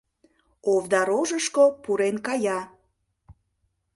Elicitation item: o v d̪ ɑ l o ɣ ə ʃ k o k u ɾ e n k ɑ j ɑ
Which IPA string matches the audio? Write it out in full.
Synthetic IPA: o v d̪ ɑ ɾ o ʒ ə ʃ k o p u ɾ e n k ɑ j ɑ

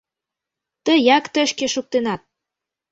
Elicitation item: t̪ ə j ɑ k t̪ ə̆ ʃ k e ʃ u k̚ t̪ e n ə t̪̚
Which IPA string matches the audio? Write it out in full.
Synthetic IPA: t̪ ə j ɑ k t̪ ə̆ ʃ k e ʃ u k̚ t̪ e n ɑ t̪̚

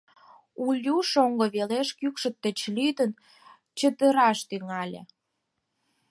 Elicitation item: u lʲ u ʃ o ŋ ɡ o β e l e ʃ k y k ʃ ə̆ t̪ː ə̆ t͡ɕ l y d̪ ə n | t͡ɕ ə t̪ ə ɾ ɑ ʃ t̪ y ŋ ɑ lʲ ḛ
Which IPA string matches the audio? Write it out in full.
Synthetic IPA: u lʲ u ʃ o ŋ ɡ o β e l e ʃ k y k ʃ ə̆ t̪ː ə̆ t͡ɕ l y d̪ ə n | t͡ɕ ə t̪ ə ɾ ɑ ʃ t̪ y ŋ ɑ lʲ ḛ

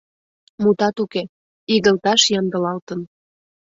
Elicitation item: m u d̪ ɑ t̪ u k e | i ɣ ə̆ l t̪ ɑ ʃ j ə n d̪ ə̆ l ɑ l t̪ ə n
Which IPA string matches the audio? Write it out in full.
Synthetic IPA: m u t̪ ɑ t̪ u k e | i ɣ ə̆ l t̪ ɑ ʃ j ɑ n d̪ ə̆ l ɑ l t̪ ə n

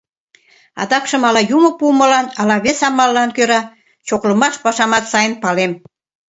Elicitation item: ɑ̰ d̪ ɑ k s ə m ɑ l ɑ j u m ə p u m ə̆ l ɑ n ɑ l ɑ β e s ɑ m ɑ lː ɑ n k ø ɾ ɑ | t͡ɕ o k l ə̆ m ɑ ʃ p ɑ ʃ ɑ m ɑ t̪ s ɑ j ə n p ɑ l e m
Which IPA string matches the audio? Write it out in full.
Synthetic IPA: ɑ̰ d̪ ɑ k ʃ ə m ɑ l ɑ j u m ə p u m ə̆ l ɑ n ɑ l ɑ β e s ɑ m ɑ lː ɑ n k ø ɾ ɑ | t͡ɕ o k l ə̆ m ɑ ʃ p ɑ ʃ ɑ m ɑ t̪ s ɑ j ə n p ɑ l e m

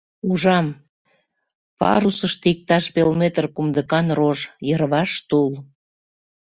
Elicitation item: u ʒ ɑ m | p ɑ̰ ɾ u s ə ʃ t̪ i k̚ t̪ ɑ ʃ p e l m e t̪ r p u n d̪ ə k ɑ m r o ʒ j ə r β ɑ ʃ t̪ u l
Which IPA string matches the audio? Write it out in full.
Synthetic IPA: u ʒ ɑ m | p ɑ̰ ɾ u s ə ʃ t̪ i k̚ t̪ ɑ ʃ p e l m e t̪ r k u m d̪ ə k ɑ n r o ʒ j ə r β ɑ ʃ t̪ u l

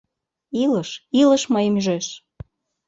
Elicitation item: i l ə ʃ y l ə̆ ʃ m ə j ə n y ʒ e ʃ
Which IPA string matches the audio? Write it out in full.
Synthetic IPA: i l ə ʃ i l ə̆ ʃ m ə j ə m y ʒ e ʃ

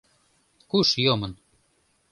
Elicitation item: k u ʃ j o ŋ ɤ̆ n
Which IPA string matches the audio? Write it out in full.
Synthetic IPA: k u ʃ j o m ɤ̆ n

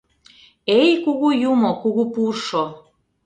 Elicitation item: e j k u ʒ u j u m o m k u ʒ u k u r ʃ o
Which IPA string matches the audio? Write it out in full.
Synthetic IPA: e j k u ɣ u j u m o k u ɣ u p u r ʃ o

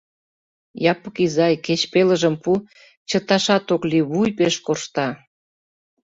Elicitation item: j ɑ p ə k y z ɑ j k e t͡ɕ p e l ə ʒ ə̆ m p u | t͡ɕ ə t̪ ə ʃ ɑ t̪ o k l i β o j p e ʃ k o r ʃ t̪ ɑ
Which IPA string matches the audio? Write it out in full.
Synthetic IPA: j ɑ p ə k i z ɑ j k e t͡ɕ p e l ə ʒ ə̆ m p u | t͡ɕ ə t̪ ɑ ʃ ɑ t̪ o k l i β u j p e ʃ k o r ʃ t̪ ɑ

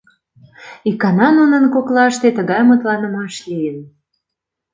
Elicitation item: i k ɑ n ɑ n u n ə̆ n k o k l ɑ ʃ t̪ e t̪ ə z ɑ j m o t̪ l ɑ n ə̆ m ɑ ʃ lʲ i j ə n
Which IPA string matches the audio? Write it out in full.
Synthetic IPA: i k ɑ n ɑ n u n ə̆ n k o k l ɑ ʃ t̪ e t̪ ə ɣ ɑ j m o t̪ l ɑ n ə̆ m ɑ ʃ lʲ i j ə n

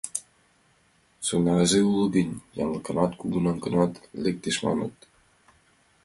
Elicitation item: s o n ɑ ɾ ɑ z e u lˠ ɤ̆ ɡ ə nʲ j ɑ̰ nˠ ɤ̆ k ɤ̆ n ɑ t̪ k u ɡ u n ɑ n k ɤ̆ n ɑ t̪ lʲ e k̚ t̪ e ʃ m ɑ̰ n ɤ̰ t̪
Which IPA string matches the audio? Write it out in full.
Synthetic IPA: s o n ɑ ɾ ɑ z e u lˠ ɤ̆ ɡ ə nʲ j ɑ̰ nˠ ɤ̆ k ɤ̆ n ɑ t̪ k u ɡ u n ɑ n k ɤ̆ n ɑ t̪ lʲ e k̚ t̪ e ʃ m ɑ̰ n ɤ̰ t̪

